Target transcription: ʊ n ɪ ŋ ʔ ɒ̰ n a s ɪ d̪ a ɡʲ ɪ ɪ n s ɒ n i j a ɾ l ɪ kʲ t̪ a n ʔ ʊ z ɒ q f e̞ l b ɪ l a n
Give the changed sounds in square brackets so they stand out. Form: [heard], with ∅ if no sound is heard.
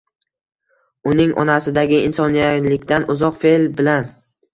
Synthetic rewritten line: ʊ n ɪ ŋ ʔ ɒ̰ n a s ɪ d̪ a ɡʲ ɪ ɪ n s ɒ n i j a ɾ l ɪ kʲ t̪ a n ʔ ʊ z ɒ q f e̞ l b ɪ l a n